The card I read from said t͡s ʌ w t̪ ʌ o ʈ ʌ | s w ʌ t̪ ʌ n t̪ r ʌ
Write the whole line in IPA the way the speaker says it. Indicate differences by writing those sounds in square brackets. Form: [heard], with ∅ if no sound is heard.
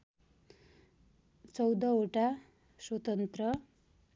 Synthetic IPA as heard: t͡s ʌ w [d̪] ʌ o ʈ [a] | s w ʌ t̪ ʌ n t̪ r ʌ